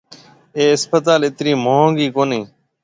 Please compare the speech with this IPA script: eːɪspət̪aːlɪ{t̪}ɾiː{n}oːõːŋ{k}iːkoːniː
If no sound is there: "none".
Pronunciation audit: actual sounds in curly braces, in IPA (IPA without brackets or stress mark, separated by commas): t̪, m, ɡ